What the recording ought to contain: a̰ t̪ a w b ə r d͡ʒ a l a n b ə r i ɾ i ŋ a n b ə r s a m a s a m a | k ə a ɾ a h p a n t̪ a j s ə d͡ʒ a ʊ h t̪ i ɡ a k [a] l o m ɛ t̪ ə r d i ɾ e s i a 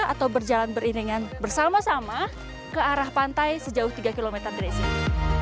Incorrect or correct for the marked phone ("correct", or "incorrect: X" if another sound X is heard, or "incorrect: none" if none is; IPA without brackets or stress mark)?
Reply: incorrect: i